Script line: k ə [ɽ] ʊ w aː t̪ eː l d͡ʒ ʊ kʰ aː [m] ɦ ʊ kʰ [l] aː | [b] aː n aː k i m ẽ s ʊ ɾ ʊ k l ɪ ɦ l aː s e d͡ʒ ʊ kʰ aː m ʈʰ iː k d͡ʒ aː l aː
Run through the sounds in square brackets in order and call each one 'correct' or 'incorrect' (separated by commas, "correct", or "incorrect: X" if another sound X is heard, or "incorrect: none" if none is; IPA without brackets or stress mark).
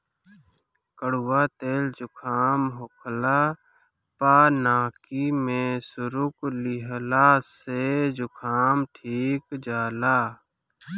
correct, correct, correct, incorrect: p